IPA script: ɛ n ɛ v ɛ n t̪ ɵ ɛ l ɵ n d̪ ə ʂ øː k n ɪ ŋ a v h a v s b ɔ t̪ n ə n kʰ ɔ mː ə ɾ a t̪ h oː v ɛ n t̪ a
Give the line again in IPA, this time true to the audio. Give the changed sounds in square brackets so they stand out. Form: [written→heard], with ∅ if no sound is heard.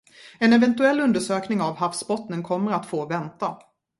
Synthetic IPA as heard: ɛ n ɛ v ɛ n t̪ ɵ ɛ [l→lː] ɵ n d̪ ə ʂ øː k n ɪ ŋ a v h a [v→f] s b ɔ t̪ n ə n kʰ ɔ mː ə ɾ a t̪ [h→f] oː v ɛ n t̪ a